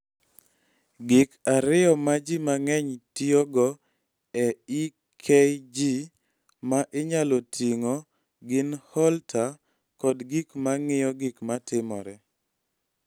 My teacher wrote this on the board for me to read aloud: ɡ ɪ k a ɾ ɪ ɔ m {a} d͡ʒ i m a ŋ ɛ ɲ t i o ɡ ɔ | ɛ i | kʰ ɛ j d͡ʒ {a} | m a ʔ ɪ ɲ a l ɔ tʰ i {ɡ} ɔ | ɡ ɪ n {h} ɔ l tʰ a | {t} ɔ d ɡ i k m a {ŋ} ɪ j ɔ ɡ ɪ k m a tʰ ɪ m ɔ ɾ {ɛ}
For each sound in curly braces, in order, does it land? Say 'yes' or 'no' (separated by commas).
yes, no, no, yes, no, yes, yes